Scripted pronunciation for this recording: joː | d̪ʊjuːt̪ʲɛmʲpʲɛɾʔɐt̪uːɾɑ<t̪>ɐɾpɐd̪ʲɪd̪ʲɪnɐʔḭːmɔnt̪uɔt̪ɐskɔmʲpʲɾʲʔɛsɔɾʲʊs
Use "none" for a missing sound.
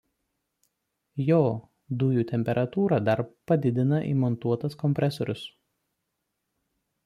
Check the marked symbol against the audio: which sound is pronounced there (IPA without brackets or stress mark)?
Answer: d̪